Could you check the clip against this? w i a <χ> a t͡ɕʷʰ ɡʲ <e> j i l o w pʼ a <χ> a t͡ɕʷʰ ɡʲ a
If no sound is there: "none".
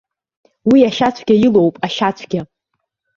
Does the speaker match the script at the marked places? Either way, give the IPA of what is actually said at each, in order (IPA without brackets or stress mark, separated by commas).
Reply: ʃ, a, ʃ